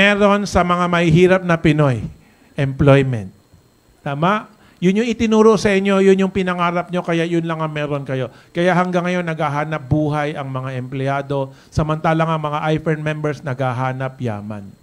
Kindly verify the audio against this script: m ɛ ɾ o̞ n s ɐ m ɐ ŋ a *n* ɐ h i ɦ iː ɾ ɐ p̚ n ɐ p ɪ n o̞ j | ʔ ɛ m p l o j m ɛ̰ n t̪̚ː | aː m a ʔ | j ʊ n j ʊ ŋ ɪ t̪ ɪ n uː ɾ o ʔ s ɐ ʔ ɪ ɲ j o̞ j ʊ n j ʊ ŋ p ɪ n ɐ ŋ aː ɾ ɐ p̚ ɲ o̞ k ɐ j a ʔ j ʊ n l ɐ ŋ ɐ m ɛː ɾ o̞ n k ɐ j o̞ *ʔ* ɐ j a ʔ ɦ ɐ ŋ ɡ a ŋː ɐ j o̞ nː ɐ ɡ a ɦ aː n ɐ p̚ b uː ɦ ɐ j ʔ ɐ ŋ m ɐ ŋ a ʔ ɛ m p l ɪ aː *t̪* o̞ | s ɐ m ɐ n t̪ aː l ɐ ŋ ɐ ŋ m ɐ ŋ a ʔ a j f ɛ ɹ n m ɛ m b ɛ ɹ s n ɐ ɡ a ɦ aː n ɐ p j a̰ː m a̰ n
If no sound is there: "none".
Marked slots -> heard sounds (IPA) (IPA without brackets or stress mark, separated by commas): m, k, d̪